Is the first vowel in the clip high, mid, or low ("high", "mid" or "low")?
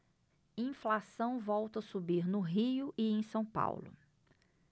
high